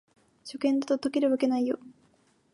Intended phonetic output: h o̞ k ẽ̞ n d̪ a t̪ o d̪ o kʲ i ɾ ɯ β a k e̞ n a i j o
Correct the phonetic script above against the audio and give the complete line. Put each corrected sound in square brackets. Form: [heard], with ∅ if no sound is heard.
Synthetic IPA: [ɕ] o̞ k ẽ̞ n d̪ a t̪ o [t̪] o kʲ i ɾ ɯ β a k e̞ n a i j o